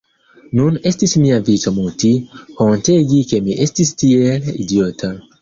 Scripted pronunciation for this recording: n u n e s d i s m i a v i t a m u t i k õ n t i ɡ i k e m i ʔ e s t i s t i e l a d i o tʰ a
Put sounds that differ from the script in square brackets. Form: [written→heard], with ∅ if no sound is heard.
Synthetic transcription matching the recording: n u n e s [d→t] i s m i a v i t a m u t i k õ n t [i→e] ɡ i k e m i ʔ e s t i s t i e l [a→i] d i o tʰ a